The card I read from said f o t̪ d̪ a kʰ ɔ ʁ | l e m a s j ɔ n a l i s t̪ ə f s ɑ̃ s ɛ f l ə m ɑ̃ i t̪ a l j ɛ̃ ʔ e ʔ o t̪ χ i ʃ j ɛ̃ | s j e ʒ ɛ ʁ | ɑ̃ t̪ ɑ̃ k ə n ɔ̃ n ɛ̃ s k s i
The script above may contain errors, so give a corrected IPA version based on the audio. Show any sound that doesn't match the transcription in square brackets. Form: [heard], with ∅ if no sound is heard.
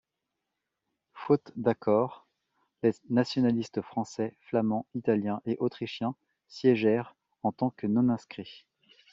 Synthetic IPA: f o t̪ d̪ a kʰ ɔ ʁ | l e [n] a s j ɔ n a l i s t̪ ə f [χ] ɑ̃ s ɛ f l [a] m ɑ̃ i t̪ a l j ɛ̃ ʔ e ʔ o t̪ χ i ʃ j ɛ̃ | s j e ʒ ɛ ʁ | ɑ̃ t̪ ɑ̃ k ə n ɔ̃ n ɛ̃ s k [χ] i